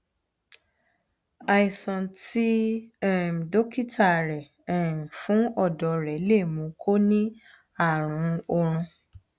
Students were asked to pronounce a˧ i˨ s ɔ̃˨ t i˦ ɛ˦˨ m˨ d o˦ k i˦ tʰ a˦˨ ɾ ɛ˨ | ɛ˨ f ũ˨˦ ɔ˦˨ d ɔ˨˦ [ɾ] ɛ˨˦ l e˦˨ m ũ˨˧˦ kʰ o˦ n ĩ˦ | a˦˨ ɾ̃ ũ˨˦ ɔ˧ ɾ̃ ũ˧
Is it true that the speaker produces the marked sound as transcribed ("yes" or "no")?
yes